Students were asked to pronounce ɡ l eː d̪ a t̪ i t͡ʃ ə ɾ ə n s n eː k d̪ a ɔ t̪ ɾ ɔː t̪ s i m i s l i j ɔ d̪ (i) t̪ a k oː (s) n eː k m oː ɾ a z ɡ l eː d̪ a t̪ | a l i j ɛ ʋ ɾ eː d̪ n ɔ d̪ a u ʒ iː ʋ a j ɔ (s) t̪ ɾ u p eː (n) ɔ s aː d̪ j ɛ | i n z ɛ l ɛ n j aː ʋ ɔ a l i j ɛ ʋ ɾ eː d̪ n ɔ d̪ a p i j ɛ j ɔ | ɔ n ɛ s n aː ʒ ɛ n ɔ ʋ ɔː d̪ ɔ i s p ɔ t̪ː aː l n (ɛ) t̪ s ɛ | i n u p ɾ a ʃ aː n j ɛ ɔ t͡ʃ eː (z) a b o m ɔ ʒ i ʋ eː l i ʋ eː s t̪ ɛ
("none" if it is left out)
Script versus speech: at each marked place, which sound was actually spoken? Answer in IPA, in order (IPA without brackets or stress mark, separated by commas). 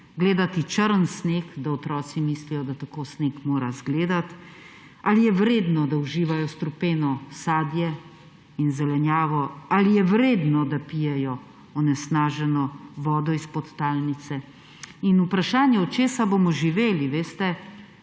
a, s, s, n, i, s